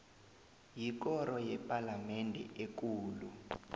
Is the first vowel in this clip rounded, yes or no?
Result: no